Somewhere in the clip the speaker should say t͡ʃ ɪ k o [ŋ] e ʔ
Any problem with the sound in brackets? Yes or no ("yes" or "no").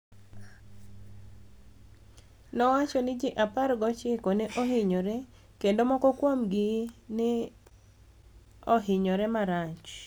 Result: yes